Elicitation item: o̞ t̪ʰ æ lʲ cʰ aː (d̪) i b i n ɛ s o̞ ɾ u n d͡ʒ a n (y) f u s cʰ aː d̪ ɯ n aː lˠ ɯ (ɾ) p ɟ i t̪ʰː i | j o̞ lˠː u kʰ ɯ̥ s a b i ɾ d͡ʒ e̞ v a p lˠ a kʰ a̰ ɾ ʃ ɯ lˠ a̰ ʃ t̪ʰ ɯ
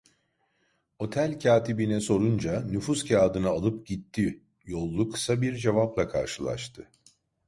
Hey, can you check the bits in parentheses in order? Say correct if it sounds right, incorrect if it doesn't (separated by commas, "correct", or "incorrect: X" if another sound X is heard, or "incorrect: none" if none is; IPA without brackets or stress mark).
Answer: incorrect: t̪, correct, incorrect: none